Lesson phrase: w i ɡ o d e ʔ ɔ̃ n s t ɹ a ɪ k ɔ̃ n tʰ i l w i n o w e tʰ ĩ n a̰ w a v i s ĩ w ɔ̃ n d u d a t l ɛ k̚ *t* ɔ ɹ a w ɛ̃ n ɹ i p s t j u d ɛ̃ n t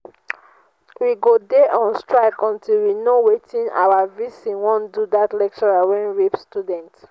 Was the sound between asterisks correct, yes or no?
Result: no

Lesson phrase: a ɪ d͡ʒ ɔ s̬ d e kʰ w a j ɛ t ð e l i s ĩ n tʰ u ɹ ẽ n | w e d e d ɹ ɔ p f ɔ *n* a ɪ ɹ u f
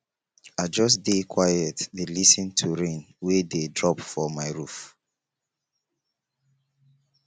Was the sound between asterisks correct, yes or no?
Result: no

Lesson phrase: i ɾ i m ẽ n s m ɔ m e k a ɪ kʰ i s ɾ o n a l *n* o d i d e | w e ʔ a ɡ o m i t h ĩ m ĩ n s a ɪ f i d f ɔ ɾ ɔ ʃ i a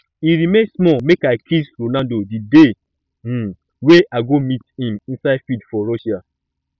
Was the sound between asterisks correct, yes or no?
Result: no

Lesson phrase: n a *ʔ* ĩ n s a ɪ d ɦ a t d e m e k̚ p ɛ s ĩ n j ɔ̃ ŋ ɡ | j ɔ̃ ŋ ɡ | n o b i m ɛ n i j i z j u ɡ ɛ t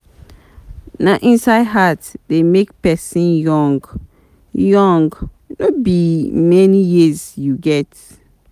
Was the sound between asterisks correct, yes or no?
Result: yes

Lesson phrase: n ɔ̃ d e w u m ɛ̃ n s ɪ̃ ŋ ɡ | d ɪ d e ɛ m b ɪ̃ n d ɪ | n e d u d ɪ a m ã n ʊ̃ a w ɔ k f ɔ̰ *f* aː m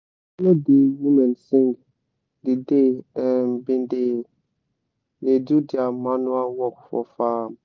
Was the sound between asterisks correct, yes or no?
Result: yes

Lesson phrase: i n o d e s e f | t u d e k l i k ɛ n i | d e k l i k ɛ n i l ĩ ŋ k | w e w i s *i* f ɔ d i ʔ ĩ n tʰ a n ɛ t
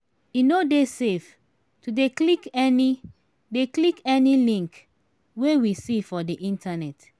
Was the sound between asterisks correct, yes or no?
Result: yes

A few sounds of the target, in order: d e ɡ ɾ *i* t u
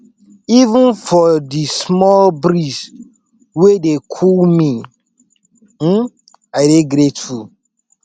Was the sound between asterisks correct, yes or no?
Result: no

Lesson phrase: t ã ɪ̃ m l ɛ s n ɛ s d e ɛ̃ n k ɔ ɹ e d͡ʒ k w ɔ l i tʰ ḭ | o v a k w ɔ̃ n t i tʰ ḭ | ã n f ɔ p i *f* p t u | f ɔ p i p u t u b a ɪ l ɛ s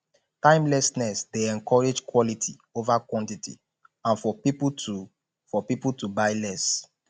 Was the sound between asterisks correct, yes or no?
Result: no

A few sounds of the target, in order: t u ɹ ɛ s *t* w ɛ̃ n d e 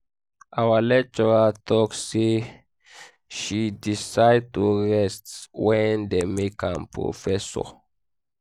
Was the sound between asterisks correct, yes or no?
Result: yes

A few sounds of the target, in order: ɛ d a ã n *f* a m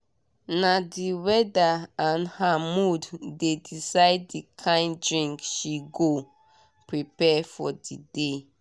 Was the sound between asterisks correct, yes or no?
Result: no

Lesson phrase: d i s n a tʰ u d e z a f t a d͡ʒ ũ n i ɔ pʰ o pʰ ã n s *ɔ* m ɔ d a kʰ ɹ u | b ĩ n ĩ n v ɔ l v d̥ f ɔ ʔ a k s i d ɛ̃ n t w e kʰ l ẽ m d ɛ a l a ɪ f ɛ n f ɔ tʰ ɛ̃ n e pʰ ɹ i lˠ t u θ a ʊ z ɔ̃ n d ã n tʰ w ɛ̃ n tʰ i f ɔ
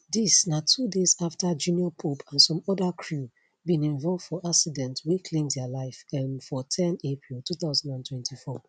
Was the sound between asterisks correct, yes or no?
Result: no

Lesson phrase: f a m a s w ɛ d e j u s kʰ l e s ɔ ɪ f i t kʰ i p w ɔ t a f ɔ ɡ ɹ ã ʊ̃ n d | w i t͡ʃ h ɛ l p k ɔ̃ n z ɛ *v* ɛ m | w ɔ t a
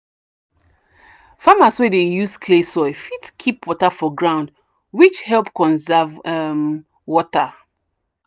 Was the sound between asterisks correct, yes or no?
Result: yes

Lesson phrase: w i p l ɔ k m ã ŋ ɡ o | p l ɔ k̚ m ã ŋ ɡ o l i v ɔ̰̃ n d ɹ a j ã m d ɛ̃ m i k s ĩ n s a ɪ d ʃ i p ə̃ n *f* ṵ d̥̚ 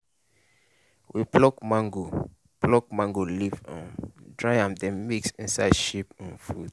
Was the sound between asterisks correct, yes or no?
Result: yes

